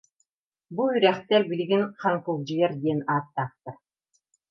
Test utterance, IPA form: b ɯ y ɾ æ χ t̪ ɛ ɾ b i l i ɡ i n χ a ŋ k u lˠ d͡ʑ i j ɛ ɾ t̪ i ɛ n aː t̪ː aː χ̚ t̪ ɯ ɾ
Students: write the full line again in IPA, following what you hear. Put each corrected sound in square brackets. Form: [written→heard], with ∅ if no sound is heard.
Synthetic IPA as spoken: b [ɯ→u] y ɾ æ χ t̪ ɛ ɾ b i l i ɡ i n χ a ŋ k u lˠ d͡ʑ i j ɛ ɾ [t̪→d̪] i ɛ n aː t̪ː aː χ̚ t̪ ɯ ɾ